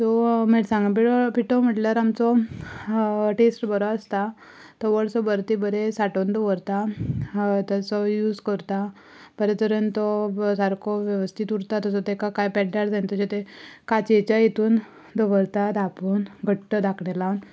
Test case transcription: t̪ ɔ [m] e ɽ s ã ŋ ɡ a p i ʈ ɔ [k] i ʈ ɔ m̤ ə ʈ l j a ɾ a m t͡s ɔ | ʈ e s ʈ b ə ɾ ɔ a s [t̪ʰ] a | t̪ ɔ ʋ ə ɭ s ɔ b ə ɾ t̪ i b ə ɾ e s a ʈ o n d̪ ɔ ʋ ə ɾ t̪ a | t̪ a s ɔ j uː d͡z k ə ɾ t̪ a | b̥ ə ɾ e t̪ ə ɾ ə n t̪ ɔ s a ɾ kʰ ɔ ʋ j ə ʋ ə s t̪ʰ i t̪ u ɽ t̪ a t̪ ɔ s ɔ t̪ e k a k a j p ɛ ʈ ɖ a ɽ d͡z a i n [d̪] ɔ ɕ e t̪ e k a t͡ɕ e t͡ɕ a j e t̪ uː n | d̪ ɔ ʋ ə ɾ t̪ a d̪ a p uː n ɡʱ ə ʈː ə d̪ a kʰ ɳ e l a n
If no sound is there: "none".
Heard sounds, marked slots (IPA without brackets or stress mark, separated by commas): m, p, t̪, t̪